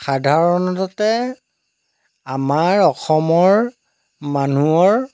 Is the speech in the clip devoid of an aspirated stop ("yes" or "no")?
yes